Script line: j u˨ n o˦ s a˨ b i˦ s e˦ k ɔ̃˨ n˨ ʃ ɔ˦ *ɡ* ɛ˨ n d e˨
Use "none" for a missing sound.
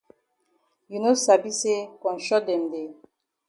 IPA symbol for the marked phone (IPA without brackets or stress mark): d